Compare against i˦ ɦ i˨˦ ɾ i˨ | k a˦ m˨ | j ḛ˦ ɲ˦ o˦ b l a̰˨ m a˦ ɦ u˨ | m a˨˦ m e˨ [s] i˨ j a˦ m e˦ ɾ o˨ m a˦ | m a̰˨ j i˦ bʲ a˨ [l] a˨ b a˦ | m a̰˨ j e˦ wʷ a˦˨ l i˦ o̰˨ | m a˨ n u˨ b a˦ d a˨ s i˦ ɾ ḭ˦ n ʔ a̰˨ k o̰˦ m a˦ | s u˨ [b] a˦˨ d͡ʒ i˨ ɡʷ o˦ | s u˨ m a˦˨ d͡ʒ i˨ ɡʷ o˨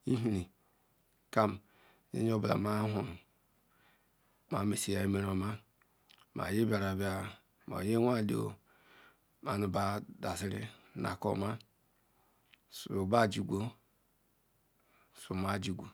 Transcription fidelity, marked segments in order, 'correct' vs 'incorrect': correct, incorrect, correct

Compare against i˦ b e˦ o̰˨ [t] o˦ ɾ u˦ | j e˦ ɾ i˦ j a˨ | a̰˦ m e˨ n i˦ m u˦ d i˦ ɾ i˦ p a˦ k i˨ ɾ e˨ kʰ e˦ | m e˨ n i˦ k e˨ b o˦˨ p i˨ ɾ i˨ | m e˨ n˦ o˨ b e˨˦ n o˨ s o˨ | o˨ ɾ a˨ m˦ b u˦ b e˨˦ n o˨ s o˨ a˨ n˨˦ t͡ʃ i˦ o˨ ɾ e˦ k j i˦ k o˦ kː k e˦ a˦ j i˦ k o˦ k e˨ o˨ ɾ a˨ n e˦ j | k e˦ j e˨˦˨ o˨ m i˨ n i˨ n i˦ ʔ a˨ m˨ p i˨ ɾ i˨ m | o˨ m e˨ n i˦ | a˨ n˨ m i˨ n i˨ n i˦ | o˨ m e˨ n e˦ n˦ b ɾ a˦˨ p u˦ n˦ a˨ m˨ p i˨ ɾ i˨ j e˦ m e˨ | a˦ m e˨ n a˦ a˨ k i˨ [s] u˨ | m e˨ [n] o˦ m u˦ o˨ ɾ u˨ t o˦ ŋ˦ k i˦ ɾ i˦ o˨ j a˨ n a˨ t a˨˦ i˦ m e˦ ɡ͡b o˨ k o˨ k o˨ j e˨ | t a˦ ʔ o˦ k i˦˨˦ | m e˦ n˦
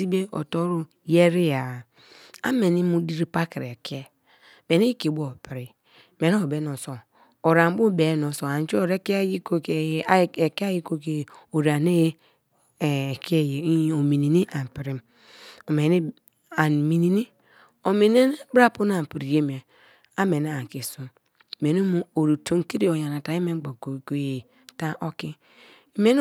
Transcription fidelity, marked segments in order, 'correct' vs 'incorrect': correct, correct, correct

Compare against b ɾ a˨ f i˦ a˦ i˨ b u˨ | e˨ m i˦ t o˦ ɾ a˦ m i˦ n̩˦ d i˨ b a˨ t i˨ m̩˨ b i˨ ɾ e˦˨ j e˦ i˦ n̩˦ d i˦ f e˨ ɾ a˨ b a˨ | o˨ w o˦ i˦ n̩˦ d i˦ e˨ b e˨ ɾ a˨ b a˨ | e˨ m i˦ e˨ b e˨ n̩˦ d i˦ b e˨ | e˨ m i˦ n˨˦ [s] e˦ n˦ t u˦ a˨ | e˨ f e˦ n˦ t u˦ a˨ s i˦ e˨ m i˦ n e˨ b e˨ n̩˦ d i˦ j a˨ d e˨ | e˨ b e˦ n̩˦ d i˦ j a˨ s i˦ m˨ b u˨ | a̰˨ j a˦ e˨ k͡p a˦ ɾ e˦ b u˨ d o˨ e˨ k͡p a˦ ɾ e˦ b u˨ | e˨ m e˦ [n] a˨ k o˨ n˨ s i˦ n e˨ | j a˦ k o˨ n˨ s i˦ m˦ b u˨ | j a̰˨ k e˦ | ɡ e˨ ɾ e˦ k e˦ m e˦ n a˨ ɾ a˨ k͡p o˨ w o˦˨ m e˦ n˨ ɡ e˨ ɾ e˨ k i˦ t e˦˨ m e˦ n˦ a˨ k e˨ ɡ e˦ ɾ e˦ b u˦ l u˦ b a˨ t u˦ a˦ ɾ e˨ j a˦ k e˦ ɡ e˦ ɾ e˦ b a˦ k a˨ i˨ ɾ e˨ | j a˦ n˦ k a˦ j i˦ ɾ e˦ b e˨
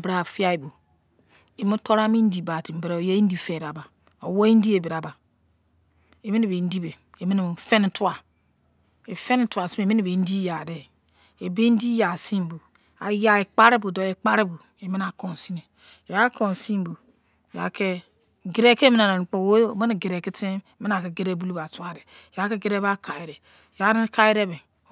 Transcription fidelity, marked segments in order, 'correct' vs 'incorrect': incorrect, correct

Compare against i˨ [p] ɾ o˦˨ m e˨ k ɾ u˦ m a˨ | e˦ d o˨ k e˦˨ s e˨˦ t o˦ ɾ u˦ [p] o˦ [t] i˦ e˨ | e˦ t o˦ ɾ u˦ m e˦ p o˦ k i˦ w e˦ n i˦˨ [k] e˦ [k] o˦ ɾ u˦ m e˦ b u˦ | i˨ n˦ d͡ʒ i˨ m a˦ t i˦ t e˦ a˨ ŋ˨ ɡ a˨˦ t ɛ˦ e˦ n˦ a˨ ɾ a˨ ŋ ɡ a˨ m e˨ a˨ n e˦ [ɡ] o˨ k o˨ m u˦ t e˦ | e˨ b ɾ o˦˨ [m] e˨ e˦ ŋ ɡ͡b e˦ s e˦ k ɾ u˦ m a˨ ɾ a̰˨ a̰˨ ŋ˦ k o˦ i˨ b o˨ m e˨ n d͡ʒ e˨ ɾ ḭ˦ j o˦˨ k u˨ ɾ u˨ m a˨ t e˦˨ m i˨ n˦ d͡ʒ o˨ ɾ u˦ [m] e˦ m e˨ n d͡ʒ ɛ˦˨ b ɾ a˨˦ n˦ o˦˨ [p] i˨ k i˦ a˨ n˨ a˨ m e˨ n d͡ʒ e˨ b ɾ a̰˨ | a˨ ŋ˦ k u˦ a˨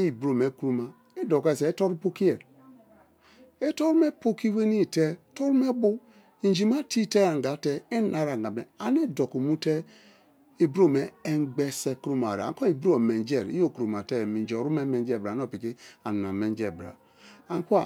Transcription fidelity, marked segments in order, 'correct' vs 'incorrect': incorrect, correct, incorrect, incorrect, incorrect, incorrect, correct, correct, correct

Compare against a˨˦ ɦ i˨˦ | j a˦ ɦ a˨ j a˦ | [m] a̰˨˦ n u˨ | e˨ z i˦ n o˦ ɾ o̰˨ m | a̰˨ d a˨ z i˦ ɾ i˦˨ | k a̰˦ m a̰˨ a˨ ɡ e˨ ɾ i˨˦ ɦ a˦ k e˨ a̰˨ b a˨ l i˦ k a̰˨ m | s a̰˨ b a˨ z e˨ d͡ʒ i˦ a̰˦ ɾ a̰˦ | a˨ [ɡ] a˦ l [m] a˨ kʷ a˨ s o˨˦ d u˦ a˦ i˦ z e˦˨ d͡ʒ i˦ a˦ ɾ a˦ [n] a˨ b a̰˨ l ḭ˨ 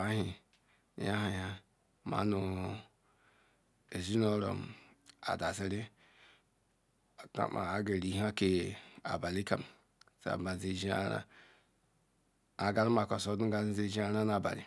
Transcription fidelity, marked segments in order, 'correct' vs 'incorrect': correct, correct, correct, correct

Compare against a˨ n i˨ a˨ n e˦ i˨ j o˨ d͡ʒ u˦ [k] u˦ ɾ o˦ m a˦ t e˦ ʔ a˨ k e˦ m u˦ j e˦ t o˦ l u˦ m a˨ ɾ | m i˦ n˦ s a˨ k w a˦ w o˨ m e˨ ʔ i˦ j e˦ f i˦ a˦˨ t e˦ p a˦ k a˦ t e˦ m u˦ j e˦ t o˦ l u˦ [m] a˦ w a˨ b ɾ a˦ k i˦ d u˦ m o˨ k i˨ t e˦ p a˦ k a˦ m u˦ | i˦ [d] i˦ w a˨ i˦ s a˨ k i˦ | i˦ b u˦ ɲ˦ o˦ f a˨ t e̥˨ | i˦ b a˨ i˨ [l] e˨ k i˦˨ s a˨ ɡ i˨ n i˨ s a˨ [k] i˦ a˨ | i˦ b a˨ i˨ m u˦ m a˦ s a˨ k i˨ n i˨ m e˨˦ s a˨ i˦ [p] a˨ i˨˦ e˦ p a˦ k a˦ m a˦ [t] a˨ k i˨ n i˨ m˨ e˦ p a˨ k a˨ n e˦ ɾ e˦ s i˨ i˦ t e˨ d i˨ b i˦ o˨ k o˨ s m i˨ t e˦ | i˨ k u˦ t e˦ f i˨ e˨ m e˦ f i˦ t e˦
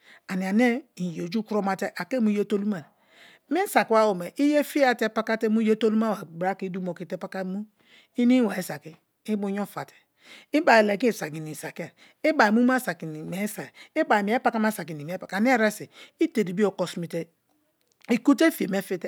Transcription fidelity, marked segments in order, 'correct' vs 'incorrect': correct, correct, incorrect, correct, correct, incorrect, incorrect

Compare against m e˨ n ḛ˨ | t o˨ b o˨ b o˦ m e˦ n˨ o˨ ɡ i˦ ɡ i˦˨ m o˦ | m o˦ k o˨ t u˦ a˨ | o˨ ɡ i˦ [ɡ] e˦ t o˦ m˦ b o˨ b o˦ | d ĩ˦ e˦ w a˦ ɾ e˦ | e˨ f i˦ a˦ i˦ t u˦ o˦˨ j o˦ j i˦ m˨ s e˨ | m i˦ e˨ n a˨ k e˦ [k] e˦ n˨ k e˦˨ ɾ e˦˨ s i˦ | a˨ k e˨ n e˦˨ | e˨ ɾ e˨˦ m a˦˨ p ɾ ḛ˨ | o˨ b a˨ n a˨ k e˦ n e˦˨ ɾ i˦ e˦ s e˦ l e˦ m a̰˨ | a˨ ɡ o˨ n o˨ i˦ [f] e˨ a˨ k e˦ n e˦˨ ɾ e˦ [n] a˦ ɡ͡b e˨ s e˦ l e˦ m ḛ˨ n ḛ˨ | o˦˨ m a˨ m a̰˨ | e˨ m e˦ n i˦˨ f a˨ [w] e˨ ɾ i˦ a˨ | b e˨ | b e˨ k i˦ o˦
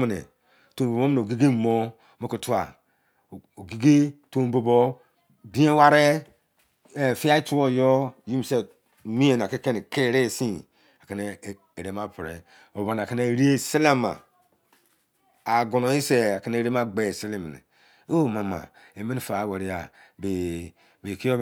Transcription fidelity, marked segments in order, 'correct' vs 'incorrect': correct, correct, incorrect, incorrect, correct

